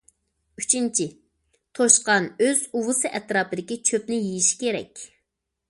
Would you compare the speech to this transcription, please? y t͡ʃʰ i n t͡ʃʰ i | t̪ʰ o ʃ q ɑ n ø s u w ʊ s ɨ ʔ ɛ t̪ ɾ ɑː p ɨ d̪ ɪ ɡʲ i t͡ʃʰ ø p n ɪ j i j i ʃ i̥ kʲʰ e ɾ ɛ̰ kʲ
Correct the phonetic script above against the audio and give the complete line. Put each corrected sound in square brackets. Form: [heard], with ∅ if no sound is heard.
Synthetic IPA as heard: y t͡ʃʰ i n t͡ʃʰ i | t̪ʰ o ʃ q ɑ n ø [z] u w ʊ s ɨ ʔ ɛ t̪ ɾ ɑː p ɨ d̪ ɪ [kʲ] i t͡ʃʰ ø p n ɪ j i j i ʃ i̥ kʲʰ e ɾ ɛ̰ kʲ